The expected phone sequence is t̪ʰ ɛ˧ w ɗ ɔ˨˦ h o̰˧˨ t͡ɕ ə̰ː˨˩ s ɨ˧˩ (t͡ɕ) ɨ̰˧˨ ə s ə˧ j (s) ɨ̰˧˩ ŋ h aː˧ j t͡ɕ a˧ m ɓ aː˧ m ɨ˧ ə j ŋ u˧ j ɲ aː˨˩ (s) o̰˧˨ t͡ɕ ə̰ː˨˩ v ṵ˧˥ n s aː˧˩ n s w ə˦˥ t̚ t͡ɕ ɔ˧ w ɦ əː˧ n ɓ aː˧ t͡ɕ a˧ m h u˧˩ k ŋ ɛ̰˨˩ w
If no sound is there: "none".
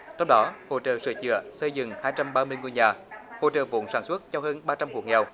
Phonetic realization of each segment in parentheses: t͡ɕ, z, h

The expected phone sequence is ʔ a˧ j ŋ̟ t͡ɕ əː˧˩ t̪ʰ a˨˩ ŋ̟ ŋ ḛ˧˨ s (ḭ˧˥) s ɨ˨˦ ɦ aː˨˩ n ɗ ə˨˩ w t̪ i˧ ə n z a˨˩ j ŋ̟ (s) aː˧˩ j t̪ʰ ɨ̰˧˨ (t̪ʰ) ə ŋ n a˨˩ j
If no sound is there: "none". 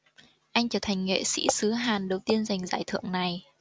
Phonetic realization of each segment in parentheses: ḭ˧˥, z, none

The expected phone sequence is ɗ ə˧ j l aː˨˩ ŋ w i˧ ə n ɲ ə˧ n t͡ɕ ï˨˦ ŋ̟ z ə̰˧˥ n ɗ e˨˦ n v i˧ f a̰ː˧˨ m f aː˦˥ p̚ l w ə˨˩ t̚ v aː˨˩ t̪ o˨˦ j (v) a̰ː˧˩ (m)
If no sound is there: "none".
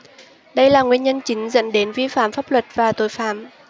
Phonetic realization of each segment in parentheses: f, m

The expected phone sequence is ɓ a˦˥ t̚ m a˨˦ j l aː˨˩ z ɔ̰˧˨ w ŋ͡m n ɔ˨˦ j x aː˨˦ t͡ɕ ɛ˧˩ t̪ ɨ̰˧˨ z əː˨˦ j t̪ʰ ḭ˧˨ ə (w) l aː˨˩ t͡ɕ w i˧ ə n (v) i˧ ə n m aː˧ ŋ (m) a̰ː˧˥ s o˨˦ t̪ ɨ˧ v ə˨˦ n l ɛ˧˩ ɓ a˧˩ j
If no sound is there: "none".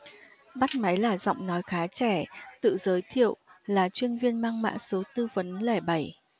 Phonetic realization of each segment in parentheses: w, v, m

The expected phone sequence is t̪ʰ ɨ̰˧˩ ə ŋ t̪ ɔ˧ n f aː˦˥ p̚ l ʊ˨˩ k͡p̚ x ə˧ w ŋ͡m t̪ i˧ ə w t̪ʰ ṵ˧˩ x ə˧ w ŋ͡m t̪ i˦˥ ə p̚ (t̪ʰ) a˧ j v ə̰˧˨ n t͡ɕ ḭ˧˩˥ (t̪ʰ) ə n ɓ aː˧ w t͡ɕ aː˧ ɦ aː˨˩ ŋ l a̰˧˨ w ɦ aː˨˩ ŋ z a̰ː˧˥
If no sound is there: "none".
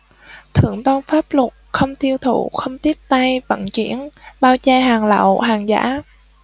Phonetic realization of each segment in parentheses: t̪, none

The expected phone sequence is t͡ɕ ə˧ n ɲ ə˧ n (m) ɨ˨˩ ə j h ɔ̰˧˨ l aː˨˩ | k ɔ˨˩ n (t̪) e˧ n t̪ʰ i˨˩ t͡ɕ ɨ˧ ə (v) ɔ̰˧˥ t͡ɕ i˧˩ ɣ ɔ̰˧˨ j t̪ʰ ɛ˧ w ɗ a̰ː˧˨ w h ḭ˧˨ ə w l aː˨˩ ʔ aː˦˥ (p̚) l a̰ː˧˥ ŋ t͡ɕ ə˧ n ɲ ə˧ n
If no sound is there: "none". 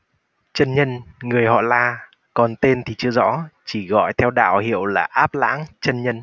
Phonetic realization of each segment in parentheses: ŋ, t̪, z, p̚

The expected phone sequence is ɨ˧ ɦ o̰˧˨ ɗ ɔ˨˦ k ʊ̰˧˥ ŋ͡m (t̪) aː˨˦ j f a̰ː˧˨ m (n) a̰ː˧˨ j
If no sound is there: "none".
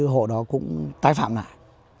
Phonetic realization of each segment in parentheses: t̪, n

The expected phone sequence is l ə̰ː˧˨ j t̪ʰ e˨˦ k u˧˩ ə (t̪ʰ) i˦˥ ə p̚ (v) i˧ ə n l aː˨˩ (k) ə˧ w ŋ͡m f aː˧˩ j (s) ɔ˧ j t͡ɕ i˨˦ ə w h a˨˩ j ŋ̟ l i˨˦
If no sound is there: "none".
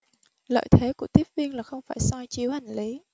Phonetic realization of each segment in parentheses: t̪, v, x, s

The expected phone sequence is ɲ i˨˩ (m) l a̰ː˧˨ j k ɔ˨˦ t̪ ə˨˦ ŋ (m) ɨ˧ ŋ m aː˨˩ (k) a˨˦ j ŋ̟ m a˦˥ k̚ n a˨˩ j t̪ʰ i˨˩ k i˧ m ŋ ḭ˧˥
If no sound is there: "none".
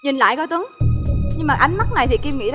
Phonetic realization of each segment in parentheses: n, ɲ, ʔ

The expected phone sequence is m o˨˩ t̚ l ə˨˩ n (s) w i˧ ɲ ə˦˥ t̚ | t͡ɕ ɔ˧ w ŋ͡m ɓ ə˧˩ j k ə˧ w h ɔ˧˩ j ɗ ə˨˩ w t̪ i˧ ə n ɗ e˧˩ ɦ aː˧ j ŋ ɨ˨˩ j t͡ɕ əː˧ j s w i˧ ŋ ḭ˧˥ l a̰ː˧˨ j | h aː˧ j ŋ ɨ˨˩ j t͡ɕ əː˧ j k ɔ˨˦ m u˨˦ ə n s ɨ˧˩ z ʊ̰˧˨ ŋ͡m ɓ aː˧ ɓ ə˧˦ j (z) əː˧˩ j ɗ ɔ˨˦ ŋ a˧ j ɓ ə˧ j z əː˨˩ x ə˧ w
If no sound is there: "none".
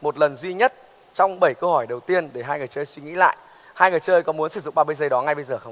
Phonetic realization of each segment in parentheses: z, z

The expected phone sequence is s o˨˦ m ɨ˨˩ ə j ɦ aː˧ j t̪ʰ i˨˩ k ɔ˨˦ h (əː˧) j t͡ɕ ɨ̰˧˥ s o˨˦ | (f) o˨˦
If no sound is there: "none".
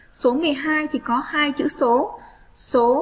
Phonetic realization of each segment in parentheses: aː˧, s

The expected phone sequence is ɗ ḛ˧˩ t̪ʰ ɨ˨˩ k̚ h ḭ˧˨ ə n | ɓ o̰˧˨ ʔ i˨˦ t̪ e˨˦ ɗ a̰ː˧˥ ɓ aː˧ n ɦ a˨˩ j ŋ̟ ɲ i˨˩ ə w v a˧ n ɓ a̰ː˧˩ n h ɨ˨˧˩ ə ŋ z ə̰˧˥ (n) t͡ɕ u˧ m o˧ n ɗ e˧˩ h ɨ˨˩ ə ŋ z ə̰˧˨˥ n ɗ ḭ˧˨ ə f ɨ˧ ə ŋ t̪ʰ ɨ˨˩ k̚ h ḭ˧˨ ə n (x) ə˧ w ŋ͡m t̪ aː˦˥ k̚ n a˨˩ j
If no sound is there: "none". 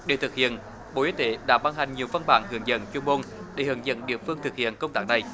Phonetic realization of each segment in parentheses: n, k

